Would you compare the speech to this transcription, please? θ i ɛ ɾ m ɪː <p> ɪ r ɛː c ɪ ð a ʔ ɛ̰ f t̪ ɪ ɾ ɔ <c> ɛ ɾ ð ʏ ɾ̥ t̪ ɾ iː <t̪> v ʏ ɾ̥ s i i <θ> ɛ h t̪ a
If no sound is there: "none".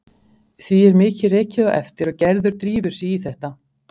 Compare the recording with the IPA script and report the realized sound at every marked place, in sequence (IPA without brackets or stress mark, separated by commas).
c, c, none, θ